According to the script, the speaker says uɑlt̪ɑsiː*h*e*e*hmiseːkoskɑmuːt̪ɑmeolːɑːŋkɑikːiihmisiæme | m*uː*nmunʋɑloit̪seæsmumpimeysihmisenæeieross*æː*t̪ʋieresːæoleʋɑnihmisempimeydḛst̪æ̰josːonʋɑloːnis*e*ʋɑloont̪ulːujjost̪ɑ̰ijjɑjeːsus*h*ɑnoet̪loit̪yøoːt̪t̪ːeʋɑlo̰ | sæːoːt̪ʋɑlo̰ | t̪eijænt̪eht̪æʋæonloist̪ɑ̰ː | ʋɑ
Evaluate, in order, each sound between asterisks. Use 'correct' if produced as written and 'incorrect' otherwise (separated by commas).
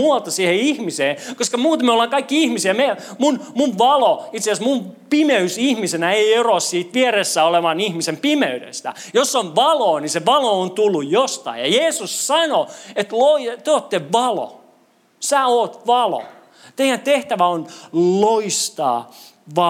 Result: correct, incorrect, incorrect, incorrect, correct, incorrect